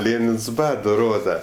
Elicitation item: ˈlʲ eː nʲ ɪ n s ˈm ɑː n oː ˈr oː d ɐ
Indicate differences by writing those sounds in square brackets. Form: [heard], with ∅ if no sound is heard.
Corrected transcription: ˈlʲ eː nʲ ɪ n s [ˈb] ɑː [d] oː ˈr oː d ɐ